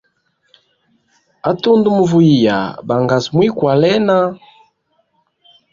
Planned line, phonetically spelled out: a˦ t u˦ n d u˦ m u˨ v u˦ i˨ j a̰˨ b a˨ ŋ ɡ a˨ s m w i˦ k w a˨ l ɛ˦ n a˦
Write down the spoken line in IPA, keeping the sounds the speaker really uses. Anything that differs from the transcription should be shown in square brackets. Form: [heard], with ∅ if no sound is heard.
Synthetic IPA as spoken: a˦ t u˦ n d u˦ m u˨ v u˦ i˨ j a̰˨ b a˨ ŋ ɡ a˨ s m w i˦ k w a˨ l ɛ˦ n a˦

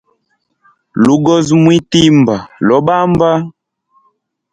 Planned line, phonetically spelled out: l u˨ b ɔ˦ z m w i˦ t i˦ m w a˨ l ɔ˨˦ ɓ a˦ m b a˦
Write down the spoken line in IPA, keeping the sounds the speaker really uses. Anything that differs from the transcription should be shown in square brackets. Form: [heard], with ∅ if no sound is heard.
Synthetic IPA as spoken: l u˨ [ɡ] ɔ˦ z m w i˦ t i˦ m [b] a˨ l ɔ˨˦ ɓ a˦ m b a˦

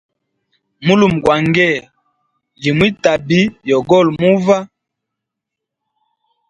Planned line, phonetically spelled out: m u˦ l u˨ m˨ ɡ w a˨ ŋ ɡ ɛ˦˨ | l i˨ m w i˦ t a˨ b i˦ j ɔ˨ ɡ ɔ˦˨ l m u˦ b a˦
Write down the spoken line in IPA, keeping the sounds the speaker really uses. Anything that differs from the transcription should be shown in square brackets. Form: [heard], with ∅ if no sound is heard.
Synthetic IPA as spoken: m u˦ l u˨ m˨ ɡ w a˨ ŋ ɡ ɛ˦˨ | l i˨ m w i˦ t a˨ b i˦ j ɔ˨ ɡ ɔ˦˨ l m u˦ [v] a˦

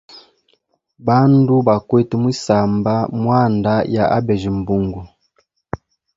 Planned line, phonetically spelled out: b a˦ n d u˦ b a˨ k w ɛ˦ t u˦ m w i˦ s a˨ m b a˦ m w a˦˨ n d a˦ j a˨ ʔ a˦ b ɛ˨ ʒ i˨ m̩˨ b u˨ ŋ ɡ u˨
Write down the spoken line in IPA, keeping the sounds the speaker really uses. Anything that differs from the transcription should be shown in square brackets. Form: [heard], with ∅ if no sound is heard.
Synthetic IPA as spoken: b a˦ n d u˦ b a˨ k w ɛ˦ t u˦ m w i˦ s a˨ m b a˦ m w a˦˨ n d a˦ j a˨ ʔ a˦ b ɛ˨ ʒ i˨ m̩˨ b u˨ ŋ ɡ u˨

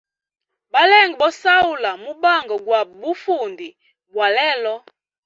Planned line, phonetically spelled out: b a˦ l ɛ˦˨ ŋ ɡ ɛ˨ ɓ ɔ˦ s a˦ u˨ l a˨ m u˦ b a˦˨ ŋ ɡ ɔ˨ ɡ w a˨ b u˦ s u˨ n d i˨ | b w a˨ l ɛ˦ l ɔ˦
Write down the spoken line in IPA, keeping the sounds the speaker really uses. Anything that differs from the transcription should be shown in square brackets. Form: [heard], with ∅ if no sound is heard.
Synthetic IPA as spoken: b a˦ l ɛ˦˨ ŋ ɡ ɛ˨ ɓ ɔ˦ s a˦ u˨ l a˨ m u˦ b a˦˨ ŋ ɡ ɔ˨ ɡ w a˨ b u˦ [f] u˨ n d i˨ | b w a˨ l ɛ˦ l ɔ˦

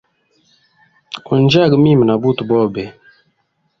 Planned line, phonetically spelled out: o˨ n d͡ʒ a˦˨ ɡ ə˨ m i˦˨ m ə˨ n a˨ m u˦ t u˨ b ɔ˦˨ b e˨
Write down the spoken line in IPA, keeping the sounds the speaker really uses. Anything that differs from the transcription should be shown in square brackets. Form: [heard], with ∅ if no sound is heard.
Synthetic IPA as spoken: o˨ n d͡ʒ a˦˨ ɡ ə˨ m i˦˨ m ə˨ n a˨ [b] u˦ t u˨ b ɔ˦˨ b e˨

